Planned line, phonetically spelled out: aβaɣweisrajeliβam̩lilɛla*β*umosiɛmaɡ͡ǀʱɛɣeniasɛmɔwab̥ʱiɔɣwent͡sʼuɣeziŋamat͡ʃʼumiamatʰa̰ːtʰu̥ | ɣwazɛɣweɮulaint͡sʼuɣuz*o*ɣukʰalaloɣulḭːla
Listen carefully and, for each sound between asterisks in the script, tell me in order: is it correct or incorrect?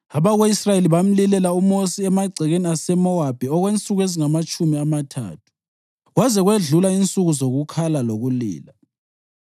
incorrect: none, correct

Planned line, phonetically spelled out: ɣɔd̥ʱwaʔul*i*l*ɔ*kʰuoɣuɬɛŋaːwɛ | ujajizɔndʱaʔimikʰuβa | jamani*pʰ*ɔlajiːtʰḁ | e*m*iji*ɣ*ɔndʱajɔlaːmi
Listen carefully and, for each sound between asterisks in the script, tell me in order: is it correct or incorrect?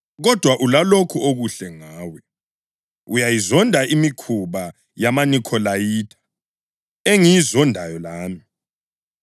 incorrect: a, incorrect: o, incorrect: kʰ, incorrect: ŋ, incorrect: z

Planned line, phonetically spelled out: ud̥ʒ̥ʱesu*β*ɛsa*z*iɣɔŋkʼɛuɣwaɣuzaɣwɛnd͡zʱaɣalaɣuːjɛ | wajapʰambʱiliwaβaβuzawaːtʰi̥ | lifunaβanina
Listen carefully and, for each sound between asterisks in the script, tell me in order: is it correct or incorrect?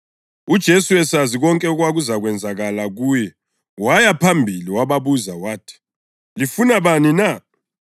incorrect: w, correct

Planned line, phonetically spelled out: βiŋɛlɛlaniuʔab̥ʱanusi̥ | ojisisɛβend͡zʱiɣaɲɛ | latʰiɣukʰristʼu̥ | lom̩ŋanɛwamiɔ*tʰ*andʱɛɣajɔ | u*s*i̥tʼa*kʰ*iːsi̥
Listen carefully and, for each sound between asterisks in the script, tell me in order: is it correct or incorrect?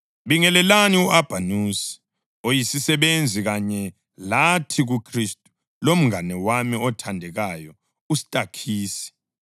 correct, correct, correct

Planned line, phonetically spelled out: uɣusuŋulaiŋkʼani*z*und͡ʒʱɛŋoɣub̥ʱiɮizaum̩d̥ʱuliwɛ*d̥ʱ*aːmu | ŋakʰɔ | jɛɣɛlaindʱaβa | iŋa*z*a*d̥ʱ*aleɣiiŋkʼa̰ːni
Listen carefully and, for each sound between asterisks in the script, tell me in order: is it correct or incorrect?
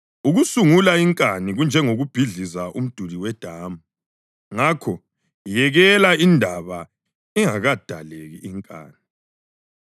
incorrect: ɣ, correct, incorrect: ɣ, correct

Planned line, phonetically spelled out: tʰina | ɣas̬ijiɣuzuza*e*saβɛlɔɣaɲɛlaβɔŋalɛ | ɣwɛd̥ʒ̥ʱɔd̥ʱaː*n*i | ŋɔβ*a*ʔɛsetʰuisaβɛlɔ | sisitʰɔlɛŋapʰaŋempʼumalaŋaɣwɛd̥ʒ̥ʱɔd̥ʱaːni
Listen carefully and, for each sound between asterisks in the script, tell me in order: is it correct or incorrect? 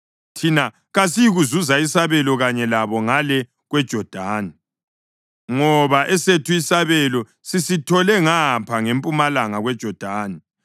incorrect: i, correct, correct

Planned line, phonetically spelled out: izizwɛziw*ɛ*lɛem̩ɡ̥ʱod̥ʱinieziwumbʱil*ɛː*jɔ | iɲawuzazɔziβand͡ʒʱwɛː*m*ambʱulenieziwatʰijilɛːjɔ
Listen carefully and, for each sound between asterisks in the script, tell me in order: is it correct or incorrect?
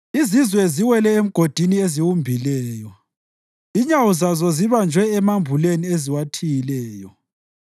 correct, correct, correct

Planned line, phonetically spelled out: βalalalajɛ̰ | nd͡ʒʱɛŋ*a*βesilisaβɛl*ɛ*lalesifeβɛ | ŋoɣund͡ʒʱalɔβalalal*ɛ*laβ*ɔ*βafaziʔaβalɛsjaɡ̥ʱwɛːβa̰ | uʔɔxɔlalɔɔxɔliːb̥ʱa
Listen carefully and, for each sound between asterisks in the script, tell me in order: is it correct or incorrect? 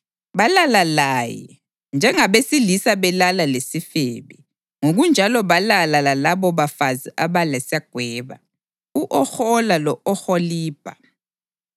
correct, incorrect: a, incorrect: a, correct

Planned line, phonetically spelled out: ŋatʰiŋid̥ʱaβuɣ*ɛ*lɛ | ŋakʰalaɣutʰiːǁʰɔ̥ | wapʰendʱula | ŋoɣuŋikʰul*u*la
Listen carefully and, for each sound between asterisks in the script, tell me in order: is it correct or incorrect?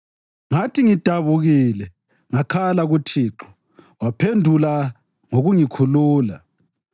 incorrect: i, incorrect: uː

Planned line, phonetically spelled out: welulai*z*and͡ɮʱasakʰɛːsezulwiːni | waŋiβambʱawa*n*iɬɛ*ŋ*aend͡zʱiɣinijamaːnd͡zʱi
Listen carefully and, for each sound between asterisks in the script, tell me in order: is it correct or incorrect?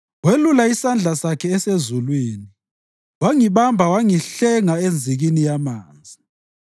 incorrect: s, incorrect: ŋ, correct

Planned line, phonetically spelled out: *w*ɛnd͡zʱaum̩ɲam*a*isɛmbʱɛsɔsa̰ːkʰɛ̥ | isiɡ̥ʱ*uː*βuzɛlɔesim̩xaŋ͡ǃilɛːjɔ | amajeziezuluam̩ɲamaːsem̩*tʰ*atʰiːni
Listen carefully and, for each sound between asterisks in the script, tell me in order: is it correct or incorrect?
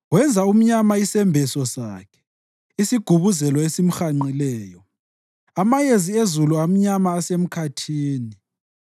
correct, correct, incorrect: u, incorrect: kʰ

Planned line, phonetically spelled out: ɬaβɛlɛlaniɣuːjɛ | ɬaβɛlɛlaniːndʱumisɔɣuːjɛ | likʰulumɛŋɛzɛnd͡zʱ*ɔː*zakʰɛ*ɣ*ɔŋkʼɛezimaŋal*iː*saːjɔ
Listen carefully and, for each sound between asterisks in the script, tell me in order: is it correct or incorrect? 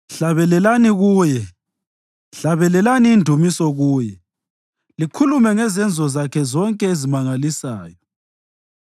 incorrect: ɔ, incorrect: z, incorrect: i

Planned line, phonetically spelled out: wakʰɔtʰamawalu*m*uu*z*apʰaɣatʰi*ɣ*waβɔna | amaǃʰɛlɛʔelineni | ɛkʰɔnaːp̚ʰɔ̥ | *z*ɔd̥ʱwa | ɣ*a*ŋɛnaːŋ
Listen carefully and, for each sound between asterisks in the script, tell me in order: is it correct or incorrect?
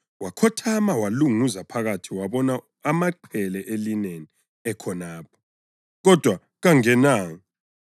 incorrect: ŋ, correct, incorrect: none, incorrect: ɣ, correct

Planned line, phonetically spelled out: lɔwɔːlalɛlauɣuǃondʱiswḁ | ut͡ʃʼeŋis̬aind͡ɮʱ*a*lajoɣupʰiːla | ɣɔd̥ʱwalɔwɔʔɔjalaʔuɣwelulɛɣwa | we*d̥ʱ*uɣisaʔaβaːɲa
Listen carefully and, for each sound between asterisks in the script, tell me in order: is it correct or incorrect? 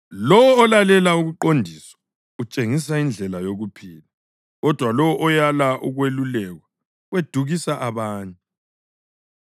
incorrect: ɛ, correct

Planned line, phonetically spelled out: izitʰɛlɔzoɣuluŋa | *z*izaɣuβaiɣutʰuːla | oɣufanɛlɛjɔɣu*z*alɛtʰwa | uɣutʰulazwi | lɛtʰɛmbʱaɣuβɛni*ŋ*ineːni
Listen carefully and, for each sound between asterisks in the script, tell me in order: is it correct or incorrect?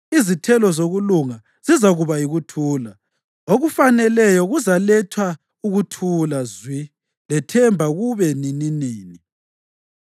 correct, correct, incorrect: n

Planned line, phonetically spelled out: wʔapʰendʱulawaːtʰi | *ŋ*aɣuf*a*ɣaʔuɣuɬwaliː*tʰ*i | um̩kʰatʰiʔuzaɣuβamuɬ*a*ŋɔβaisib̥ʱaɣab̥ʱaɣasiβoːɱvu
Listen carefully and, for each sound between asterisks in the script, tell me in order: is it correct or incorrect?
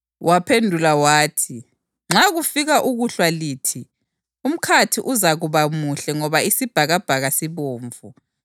incorrect: ŋ͡ǁ, incorrect: i, correct, incorrect: ɛ

